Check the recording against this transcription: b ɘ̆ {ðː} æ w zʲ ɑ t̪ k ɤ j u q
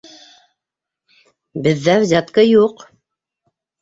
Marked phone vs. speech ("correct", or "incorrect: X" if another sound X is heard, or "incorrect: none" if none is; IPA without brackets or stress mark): correct